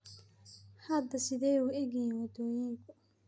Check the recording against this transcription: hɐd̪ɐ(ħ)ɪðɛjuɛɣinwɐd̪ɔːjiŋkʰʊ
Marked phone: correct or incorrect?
incorrect